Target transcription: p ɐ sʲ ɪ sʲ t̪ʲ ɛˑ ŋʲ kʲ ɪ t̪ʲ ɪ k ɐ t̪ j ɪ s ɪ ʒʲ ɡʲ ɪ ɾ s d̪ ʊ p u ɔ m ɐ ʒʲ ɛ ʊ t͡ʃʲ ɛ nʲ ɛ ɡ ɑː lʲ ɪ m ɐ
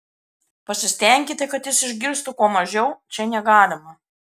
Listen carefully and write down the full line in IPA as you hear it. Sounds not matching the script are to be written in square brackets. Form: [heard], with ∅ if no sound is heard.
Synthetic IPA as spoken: p ɐ sʲ ɪ sʲ t̪ʲ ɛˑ ŋʲ kʲ ɪ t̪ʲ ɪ k ɐ t̪ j ɪ s ɪ ʒʲ ɡʲ ɪ ɾ s [t̪] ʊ [k] u ɔ m ɐ ʒʲ ɛ ʊ t͡ʃʲ ɛ nʲ ɛ ɡ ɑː lʲ ɪ m ɐ

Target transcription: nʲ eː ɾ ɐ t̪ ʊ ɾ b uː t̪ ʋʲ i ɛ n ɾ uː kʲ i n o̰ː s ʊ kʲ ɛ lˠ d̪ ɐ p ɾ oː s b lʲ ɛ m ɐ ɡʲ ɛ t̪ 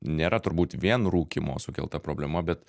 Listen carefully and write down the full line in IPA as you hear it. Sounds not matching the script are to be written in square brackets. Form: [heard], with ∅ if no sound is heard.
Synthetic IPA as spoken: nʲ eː ɾ ɐ t̪ ʊ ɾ b uː t̪ ʋʲ i ɛ n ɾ uː kʲ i [m] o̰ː s ʊ kʲ ɛ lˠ [t̪] ɐ p ɾ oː [∅] b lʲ ɛ m ɐ [bʲ] ɛ t̪

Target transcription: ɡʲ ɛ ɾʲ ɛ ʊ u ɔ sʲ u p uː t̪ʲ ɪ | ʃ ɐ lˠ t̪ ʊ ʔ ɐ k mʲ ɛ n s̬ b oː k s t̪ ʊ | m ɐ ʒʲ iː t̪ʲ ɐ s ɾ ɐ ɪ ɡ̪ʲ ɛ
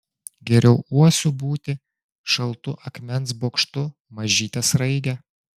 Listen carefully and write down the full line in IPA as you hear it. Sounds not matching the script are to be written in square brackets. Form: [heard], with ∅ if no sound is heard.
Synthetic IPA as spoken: ɡʲ ɛ ɾʲ ɛ ʊ u ɔ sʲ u [b] uː t̪ʲ ɪ | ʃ ɐ lˠ t̪ ʊ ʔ ɐ k mʲ ɛ n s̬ b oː k [ʃ] t̪ ʊ | m ɐ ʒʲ iː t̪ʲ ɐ s ɾ ɐ ɪ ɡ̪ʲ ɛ

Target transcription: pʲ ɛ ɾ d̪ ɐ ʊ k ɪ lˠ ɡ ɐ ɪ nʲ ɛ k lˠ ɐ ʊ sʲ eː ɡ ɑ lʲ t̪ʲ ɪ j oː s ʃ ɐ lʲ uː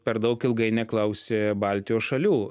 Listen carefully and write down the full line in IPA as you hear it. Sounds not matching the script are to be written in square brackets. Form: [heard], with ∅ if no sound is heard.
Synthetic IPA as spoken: pʲ ɛ ɾ d̪ ɐ ʊ k ɪ lˠ ɡ ɐ ɪ nʲ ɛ k lˠ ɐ ʊ sʲ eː [b] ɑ lʲ t̪ʲ ɪ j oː s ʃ ɐ lʲ uː

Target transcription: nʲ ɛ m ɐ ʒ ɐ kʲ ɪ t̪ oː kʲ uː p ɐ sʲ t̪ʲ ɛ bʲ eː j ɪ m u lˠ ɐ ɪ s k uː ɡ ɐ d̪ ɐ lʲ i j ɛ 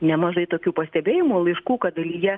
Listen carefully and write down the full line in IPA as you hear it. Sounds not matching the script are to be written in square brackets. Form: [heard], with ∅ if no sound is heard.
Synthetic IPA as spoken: nʲ ɛ m ɐ ʒ ɐ [∅] ɪ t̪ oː kʲ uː p ɐ sʲ t̪ʲ ɛ bʲ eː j ɪ m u lˠ ɐ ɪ [ʃ] k uː [k] ɐ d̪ ɐ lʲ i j ɛ

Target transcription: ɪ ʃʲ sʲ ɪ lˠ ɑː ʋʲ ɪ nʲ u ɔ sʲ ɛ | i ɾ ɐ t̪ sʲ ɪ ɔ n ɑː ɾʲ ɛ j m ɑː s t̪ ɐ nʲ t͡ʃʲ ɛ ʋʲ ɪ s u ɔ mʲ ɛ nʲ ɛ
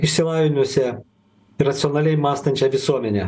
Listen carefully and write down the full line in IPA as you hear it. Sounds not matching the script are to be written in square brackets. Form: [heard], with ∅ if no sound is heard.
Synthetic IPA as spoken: ɪ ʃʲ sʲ ɪ lˠ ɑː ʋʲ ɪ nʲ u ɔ sʲ ɛ | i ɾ ɐ t̪ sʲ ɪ ɔ n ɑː [lʲ] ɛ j m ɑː s t̪ ɐ nʲ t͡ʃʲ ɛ ʋʲ ɪ s u ɔ mʲ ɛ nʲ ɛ

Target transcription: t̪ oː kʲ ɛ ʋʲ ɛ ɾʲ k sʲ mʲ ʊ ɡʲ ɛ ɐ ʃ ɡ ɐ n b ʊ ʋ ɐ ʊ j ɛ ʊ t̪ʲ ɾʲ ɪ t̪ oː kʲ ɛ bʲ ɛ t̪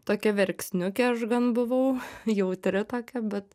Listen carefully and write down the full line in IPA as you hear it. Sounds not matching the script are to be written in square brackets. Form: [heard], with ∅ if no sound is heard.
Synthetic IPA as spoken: t̪ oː kʲ ɛ ʋʲ ɛ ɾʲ k sʲ [nʲ] ʊ [kʲ] ɛ ɐ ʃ ɡ ɐ n b ʊ ʋ ɐ ʊ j ɛ ʊ t̪ʲ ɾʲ ɪ t̪ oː kʲ ɛ bʲ ɛ t̪

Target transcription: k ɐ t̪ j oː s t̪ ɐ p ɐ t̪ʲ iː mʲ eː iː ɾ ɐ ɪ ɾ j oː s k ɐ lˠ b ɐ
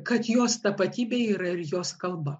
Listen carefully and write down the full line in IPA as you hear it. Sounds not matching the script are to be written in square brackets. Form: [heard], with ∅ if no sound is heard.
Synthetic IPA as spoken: k ɐ t̪ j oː s t̪ ɐ p ɐ t̪ʲ iː [bʲ] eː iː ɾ ɐ ɪ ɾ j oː s k ɐ lˠ b ɐ

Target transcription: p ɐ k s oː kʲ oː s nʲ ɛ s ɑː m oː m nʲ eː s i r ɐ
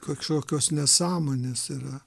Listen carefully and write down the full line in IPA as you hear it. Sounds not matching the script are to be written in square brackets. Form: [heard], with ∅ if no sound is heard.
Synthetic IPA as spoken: [k] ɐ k [ʃ] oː kʲ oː s nʲ ɛ s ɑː m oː [∅] nʲ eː s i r ɐ

